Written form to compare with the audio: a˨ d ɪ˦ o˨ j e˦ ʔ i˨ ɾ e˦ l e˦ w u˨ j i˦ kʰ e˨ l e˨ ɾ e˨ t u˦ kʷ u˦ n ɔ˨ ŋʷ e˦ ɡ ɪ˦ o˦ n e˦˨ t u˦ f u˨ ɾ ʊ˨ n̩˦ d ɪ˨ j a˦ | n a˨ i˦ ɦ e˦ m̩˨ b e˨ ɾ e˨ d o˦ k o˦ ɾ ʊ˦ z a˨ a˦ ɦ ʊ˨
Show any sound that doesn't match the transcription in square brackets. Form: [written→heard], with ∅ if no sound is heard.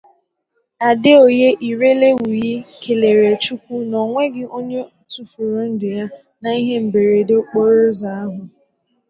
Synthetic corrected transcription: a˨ d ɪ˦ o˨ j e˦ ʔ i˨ ɾ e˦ l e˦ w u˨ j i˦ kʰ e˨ l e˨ ɾ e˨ [t→t͡ʃ] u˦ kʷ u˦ n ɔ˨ ŋʷ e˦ ɡ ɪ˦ o˦ [n→ɲ] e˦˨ t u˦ f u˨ ɾ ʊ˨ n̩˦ d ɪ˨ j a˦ | n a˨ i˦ ɦ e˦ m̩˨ b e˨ ɾ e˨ d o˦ [k→k͡p] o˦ ɾ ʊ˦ z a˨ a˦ ɦ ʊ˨

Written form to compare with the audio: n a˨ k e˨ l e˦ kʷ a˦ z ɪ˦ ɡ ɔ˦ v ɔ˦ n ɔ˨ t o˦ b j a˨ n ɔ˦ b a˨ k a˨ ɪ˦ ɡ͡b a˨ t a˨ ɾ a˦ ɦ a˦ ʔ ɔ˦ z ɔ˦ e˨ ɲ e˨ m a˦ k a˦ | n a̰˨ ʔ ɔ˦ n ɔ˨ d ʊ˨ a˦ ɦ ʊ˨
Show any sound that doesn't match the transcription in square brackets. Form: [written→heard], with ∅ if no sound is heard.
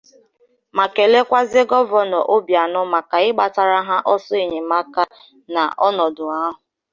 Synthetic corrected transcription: [n→m] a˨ k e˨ l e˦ kʷ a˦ z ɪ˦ ɡ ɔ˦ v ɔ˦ n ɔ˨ [t→ʔ] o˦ b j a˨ n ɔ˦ [b→m] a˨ k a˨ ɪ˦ ɡ͡b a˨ t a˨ ɾ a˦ ɦ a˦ ʔ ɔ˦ [z→s] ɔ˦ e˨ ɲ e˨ m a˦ k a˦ | n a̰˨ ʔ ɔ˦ n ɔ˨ d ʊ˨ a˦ ɦ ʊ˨

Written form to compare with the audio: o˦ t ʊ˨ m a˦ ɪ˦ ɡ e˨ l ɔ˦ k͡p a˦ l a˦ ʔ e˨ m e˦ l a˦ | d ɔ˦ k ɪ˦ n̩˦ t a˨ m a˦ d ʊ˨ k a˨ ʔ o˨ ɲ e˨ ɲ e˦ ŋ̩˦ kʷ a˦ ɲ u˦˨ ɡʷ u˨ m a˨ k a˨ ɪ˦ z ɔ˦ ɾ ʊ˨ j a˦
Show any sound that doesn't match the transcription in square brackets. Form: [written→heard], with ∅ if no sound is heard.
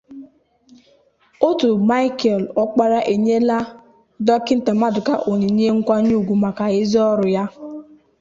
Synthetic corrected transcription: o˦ t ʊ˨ m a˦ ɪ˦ [ɡ→k] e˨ l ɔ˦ k͡p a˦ [l→ɾ] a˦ ʔ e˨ [m→ɲ] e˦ l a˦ | d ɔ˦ k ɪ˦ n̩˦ t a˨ m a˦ d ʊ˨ k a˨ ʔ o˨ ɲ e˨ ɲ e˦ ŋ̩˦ kʷ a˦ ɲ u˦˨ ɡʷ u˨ m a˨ k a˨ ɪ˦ z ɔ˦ ɾ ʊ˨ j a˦

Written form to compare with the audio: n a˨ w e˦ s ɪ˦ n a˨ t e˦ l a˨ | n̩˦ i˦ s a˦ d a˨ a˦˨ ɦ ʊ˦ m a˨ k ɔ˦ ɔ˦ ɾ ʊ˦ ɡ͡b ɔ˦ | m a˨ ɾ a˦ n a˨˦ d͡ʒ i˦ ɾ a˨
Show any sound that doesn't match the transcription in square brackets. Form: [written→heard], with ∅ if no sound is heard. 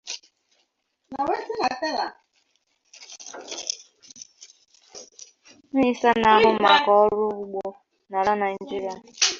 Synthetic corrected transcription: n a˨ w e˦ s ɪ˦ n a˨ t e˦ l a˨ | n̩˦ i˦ s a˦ [d→n] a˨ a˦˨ ɦ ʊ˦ m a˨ k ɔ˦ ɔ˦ ɾ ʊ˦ ɡ͡b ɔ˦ | [m→n] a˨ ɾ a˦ n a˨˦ d͡ʒ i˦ ɾ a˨

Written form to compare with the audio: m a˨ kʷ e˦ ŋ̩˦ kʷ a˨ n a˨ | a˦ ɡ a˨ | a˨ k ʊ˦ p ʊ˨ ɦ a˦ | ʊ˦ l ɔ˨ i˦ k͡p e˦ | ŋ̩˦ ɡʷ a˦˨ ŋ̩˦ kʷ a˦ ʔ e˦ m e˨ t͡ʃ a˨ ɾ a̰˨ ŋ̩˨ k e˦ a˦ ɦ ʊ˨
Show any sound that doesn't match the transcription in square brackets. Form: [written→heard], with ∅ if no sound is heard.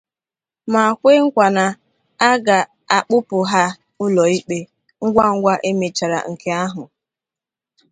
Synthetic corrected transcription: m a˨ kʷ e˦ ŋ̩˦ kʷ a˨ n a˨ | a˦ ɡ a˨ | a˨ [k→k͡p] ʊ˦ p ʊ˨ ɦ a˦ | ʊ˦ l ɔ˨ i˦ k͡p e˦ | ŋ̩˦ ɡʷ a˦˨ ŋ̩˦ [kʷ→ɡʷ] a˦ ʔ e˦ m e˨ t͡ʃ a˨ ɾ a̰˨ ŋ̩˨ k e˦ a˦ ɦ ʊ˨

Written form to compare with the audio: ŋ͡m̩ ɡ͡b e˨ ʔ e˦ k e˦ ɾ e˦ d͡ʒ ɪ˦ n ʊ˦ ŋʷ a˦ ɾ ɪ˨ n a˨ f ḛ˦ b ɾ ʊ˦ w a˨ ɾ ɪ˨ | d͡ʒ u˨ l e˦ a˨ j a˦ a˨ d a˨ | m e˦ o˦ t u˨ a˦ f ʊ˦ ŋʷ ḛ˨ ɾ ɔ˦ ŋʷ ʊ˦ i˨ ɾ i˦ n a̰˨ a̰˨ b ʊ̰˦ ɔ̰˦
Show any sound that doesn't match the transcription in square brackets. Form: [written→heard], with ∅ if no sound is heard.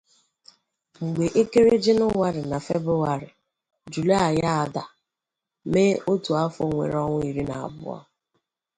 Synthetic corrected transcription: ŋ͡m̩ ɡ͡b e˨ ʔ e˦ k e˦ ɾ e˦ d͡ʒ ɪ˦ n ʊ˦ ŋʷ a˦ ɾ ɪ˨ n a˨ f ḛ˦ b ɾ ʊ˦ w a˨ ɾ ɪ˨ | d͡ʒ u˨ l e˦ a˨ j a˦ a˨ d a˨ | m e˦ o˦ t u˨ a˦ f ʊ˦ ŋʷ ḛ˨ ɾ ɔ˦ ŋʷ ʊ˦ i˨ ɾ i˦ n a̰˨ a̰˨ b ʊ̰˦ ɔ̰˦

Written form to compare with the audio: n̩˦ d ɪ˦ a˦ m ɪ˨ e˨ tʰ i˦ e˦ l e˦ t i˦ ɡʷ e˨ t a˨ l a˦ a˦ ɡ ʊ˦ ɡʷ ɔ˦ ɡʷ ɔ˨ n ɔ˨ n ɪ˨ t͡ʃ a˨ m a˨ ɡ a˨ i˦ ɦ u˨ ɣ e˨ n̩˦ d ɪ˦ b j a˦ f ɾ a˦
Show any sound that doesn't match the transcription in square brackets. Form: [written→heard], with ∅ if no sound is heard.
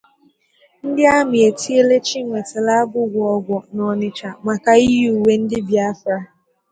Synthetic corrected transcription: n̩˦ d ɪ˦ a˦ m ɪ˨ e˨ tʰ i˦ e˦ l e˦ [t→t͡ʃ] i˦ [ɡʷ→ŋʷ] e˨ t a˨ l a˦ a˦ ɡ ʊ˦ ɡʷ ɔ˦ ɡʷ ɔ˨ n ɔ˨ n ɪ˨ t͡ʃ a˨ m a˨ [ɡ→k] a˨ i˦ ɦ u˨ [ɣ→w] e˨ n̩˦ d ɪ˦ b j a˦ f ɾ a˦

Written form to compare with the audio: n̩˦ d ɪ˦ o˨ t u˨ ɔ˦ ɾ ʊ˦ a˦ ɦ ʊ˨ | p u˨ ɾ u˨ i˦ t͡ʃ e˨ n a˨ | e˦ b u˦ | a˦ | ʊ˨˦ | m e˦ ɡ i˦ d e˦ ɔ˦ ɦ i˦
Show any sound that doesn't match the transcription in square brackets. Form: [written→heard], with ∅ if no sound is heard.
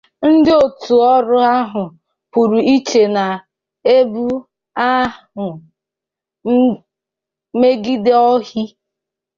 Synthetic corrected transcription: n̩˦ d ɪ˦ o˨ t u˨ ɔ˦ ɾ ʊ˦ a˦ ɦ ʊ˨ | p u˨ ɾ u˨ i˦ t͡ʃ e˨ n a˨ | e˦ b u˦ | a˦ | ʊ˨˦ | m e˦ ɡ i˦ d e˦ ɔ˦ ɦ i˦

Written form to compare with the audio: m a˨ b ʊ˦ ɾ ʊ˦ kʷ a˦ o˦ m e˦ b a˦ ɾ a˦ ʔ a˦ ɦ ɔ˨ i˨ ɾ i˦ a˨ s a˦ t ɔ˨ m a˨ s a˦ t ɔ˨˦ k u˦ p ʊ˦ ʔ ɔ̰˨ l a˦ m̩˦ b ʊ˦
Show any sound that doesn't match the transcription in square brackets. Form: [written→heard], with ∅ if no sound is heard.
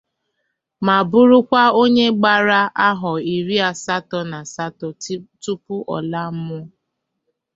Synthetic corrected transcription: m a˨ b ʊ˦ ɾ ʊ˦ kʷ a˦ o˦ [m→ɲ] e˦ [b→ɡ͡b] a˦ ɾ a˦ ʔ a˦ ɦ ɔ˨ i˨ ɾ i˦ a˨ s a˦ t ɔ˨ [m→n] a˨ s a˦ t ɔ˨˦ [k→t] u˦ p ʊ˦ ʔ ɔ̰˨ l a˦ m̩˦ [b→m] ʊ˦

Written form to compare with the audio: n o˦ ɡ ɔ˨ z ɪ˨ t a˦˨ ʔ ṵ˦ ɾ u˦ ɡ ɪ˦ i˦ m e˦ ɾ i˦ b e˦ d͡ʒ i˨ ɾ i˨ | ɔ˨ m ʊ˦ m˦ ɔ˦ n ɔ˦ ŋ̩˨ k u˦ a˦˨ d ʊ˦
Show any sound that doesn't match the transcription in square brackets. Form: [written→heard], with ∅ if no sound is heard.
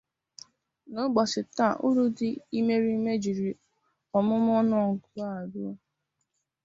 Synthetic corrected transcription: n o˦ [ɡ→ɡ͡b] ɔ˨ [z→s] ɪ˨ t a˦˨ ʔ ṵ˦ ɾ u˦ [ɡ→d] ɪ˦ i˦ m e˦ ɾ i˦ [b→m] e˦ d͡ʒ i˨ ɾ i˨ | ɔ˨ m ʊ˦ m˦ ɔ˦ n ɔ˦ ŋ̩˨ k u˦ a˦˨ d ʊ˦

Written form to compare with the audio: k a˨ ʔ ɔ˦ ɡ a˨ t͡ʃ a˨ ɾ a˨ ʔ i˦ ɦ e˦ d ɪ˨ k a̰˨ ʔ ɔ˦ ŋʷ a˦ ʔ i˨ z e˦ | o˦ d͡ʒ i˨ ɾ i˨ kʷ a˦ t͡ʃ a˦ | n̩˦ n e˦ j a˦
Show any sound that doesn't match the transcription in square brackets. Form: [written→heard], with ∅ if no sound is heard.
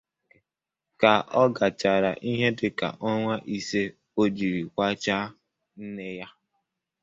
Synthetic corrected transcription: k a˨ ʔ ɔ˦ ɡ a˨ t͡ʃ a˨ ɾ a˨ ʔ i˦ ɦ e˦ d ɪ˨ k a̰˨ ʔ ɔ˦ ŋʷ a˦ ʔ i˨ [z→s] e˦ | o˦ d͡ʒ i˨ ɾ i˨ kʷ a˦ t͡ʃ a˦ | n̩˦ n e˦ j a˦

